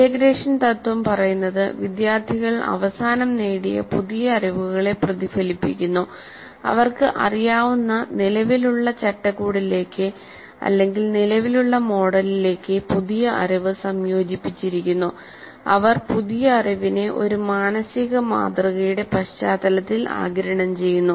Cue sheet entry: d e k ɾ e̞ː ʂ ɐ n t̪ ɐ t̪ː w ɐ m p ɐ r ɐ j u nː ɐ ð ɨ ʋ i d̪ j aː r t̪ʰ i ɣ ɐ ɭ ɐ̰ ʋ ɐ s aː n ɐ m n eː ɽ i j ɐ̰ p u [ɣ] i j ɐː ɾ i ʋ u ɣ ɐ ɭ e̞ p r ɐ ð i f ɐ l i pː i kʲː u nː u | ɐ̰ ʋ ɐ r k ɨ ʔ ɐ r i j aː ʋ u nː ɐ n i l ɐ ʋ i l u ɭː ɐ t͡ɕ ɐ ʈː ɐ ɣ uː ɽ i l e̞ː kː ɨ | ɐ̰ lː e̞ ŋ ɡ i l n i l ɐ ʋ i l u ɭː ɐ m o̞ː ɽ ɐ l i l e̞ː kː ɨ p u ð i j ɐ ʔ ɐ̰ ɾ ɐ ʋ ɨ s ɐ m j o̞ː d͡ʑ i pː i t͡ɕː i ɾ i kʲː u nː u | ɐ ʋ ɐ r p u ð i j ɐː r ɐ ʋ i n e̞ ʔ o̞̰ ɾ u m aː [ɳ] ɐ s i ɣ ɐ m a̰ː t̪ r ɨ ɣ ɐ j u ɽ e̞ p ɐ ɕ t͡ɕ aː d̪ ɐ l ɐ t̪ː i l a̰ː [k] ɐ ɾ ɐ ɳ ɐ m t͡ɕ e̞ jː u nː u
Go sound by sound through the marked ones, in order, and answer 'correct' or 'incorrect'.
incorrect: ð, incorrect: n, incorrect: ɡ

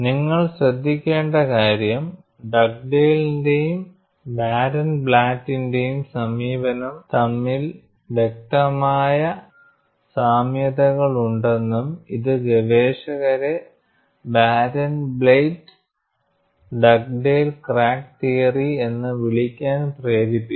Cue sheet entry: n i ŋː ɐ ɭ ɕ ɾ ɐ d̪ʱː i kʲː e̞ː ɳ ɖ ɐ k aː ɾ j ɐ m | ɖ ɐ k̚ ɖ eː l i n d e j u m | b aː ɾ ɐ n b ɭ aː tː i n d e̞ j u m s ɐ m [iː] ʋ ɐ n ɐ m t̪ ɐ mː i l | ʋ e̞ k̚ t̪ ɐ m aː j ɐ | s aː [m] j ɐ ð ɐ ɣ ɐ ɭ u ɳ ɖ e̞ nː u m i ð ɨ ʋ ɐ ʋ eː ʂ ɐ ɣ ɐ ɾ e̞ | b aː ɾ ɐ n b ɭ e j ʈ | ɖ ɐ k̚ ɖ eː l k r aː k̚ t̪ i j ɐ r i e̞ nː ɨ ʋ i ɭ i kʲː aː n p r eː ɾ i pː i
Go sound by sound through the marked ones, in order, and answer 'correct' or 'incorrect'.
correct, correct

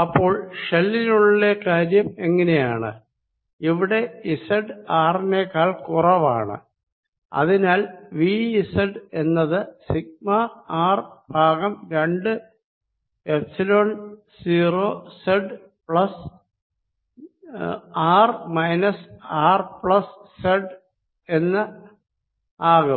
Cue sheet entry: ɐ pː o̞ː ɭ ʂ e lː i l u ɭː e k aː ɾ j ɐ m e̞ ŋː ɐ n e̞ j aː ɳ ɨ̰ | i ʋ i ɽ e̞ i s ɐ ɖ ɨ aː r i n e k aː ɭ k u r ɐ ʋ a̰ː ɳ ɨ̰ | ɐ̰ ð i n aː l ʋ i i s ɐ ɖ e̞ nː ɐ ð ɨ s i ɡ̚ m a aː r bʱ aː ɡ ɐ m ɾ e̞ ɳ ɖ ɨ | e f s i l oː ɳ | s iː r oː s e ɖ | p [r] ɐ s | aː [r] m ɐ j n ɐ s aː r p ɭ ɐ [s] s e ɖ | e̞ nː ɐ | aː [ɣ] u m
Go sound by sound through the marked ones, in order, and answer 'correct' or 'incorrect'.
incorrect: ɭ, correct, correct, correct

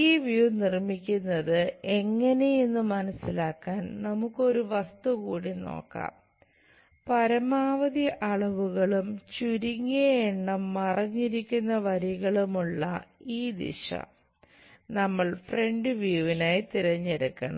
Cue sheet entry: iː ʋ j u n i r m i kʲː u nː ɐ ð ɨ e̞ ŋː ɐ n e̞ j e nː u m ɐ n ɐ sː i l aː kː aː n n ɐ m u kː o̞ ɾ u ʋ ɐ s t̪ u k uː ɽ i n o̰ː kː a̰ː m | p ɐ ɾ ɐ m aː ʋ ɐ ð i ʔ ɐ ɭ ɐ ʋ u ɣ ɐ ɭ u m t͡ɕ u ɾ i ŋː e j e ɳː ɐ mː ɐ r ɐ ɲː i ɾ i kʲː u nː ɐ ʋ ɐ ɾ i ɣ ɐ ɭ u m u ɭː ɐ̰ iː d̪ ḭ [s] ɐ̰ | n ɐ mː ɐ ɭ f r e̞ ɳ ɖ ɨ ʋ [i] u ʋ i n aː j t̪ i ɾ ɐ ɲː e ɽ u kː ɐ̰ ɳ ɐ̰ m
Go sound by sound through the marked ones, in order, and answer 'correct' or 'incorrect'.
incorrect: ʂ, incorrect: j

